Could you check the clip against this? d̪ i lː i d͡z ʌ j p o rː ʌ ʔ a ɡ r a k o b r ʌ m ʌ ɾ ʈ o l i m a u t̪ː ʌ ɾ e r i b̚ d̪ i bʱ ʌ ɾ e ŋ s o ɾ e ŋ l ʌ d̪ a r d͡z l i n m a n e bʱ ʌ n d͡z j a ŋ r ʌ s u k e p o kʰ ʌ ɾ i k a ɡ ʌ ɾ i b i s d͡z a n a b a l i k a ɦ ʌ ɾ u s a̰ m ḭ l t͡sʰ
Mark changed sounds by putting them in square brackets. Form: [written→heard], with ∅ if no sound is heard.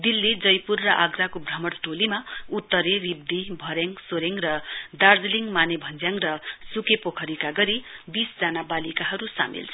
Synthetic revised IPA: d̪ i lː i d͡z ʌ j p [o→u] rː ʌ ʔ a ɡ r a k o b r ʌ m ʌ [ɾ→ɽ] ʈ o l i m a u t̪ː ʌ ɾ e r i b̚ d̪ i bʱ ʌ ɾ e ŋ s o ɾ e ŋ [l→r] ʌ d̪ a r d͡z l i [n→ŋ] m a n e bʱ ʌ n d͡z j a ŋ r ʌ s u k e p o kʰ ʌ ɾ i k a ɡ ʌ ɾ i b i s d͡z a n a b a l i k a ɦ ʌ ɾ u s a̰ m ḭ l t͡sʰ